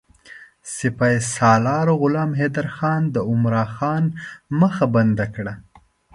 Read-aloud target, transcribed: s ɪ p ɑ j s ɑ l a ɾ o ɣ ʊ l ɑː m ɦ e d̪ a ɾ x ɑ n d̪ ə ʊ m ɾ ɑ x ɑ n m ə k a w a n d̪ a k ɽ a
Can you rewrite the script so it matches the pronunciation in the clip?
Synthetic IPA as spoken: s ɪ p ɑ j s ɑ l ɑ ɾ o ɣ ʊ l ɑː m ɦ e d̪ a ɾ x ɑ n d̪ ə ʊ m ɾ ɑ x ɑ n m ə x a b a n d̪ a k ɽ a